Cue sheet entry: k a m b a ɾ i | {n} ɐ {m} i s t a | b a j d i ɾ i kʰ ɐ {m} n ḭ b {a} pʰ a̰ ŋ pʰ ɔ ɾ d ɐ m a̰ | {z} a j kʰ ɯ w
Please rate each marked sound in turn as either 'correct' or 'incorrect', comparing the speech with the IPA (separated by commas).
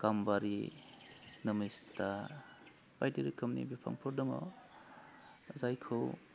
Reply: correct, correct, correct, incorrect, correct